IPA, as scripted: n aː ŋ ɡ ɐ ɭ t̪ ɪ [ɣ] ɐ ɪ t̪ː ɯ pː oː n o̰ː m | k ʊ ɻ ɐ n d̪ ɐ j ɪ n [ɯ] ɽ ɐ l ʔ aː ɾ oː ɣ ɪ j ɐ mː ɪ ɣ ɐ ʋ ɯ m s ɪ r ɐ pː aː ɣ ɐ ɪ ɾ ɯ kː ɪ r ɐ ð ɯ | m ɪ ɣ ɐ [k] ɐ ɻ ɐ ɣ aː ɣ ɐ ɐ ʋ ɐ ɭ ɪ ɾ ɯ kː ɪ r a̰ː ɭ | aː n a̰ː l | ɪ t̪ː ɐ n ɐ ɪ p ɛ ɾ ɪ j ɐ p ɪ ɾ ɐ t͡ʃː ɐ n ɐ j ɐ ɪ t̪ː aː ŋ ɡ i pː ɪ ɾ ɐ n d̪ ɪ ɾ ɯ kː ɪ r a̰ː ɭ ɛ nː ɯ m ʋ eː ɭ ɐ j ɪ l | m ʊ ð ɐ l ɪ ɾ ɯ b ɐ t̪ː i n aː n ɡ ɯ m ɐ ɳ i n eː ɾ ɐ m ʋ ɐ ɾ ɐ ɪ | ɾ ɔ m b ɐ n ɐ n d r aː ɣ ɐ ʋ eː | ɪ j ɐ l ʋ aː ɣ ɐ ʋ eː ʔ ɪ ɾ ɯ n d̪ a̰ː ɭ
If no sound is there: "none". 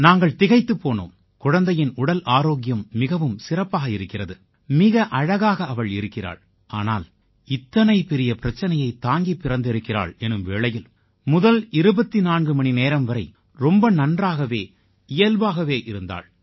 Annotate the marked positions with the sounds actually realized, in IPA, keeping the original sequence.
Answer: ɣ, ʊ, ʔ

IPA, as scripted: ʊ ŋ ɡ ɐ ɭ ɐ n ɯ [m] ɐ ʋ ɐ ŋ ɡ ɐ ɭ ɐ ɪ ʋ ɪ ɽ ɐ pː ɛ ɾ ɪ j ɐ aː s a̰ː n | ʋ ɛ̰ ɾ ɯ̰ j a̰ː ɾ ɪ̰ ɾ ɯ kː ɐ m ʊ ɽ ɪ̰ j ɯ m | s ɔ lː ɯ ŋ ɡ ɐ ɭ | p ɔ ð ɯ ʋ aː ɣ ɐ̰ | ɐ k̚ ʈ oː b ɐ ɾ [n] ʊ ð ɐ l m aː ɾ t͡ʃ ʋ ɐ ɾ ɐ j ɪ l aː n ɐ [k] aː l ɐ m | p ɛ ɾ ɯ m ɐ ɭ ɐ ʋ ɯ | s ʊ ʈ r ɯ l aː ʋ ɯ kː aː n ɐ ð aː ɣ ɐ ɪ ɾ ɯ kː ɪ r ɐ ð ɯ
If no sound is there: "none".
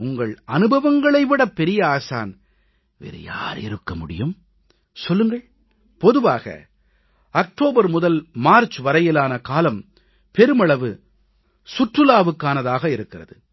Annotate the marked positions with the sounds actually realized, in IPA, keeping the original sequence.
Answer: b, m, k

